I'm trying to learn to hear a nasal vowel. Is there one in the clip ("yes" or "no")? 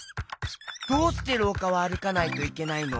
no